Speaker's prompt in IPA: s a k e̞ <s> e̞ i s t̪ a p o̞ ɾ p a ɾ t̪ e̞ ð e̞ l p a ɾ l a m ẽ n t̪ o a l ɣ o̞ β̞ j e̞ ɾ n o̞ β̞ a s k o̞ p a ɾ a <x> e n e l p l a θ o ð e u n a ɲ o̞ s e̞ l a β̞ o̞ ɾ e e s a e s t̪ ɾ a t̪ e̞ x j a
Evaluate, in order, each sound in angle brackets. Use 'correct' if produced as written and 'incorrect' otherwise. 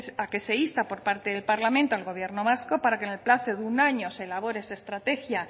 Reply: correct, incorrect: k

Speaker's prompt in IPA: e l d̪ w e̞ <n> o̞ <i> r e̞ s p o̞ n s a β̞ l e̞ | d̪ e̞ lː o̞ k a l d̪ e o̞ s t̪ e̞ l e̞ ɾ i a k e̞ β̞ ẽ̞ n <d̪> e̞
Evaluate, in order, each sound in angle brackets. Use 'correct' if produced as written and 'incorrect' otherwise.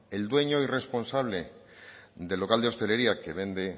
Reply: incorrect: ɲ, correct, correct

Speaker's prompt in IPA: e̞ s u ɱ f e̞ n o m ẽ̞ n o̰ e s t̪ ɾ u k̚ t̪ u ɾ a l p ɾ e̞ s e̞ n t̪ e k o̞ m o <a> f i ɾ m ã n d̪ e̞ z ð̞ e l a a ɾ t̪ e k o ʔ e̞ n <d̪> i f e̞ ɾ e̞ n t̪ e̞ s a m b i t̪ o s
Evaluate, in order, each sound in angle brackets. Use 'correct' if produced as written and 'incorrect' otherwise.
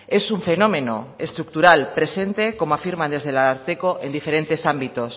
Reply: correct, correct

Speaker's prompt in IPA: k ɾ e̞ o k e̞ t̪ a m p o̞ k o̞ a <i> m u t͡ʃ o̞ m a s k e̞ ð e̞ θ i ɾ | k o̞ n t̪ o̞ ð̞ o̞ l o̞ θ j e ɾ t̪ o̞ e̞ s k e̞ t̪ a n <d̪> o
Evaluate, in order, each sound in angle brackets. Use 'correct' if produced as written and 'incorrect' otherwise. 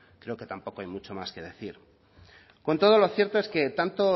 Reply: incorrect: j, incorrect: t̪

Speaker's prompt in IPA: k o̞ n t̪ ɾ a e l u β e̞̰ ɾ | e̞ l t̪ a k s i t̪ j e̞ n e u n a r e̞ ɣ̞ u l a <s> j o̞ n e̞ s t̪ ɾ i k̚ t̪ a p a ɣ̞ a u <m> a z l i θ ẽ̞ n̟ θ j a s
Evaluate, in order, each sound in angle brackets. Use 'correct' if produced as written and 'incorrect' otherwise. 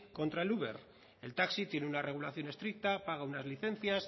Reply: incorrect: θ, incorrect: n

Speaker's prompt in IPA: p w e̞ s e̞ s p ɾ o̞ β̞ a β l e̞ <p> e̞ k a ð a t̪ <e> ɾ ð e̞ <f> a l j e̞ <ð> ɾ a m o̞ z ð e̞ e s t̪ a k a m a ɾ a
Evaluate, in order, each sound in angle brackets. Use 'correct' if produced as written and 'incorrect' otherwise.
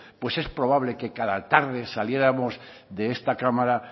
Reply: incorrect: k, incorrect: a, incorrect: s, incorrect: none

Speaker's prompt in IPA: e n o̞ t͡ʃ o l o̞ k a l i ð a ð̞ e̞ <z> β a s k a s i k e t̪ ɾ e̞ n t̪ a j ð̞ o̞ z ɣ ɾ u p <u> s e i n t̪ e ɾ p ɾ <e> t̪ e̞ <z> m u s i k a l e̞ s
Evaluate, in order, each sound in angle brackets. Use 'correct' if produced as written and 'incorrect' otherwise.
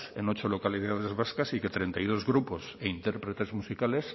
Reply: correct, incorrect: o, correct, correct

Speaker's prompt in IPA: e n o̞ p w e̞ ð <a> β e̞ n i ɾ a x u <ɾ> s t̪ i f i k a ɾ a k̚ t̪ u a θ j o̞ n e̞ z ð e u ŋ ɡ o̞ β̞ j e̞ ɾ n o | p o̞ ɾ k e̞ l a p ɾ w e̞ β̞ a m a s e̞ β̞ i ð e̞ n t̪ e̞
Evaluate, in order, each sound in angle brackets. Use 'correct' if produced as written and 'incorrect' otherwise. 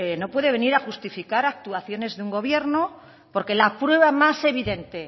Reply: incorrect: e, incorrect: none

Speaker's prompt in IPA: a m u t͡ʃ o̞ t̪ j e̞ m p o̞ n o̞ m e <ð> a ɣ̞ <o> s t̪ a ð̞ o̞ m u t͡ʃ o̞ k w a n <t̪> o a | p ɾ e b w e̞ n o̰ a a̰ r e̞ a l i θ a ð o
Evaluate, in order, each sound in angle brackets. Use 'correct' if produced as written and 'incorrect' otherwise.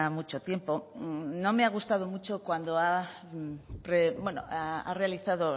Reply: incorrect: none, incorrect: u, incorrect: d̪

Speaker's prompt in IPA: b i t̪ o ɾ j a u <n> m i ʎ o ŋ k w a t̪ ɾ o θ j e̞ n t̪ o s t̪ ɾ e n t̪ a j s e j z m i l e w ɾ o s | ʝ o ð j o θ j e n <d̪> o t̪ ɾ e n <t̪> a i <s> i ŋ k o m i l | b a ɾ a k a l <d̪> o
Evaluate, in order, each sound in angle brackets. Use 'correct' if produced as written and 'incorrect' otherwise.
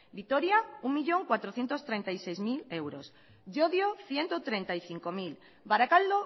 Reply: incorrect: ŋ, incorrect: t̪, correct, incorrect: θ, correct

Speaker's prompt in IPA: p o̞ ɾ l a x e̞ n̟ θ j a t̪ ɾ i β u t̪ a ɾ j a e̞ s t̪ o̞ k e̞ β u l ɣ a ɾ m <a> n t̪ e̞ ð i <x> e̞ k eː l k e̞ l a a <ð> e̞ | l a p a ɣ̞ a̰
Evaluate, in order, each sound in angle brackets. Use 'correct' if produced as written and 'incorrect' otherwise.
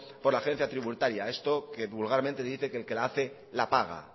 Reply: incorrect: e, incorrect: θ, incorrect: θ

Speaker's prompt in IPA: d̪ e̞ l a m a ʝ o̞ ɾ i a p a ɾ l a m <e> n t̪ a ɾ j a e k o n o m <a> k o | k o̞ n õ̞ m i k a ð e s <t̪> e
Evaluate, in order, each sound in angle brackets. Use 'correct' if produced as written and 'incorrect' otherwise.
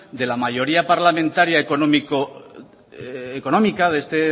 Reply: incorrect: ẽ, incorrect: i, correct

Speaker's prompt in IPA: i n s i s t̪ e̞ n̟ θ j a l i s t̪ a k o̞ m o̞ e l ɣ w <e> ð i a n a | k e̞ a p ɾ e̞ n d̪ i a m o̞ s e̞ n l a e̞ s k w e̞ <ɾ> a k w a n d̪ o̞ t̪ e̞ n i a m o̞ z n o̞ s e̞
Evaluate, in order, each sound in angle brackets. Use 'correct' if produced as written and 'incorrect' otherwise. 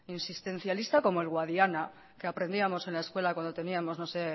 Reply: incorrect: a, incorrect: l

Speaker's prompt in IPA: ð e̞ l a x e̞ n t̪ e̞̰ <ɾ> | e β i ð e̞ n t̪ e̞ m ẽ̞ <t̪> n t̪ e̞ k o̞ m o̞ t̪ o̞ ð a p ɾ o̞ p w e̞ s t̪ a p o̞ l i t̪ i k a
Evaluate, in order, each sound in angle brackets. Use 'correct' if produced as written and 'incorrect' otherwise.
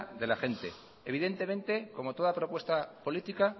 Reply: incorrect: none, incorrect: none

